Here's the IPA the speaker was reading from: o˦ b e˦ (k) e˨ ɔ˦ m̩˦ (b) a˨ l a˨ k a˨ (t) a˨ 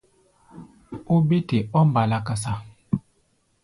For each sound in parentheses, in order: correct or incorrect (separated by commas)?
incorrect, correct, incorrect